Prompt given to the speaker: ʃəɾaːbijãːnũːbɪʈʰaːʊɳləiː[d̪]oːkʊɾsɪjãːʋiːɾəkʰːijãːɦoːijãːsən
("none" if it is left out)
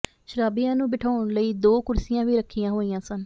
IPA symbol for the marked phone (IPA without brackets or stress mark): d̪